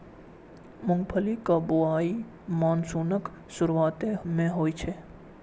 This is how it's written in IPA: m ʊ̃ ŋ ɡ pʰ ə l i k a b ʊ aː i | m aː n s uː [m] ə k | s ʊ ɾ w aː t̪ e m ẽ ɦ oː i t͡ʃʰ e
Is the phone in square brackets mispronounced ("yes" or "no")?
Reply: yes